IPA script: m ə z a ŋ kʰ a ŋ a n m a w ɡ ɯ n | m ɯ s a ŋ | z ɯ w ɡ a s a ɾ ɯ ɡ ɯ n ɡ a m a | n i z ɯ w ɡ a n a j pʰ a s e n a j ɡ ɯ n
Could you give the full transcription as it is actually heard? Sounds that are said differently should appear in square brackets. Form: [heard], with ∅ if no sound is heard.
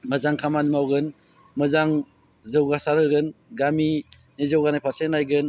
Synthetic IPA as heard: m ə z a ŋ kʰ a [m] a n m a w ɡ ɯ n | m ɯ [z] a ŋ | z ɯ w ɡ a s a ɾ ɯ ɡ ɯ n ɡ a m [i] | n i z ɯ w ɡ a n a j pʰ a s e n a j ɡ ɯ n